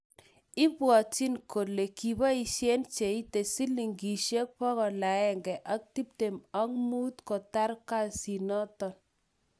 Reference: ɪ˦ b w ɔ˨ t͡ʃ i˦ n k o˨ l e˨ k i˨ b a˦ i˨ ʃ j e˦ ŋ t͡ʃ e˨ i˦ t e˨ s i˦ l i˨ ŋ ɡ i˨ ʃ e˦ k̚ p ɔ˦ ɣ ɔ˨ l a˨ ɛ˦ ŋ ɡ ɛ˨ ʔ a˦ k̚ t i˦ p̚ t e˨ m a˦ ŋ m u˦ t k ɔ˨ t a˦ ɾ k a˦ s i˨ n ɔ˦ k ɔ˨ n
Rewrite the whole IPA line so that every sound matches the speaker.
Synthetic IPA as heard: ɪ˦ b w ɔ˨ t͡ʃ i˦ n k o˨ l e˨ k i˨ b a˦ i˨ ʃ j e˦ n t͡ʃ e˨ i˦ t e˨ s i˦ l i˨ ŋ ɡ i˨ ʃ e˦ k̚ p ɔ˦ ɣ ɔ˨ l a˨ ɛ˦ ŋ ɡ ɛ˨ ʔ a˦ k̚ t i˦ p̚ t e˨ m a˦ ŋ m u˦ t k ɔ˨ t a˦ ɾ k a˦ s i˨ n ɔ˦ t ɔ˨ n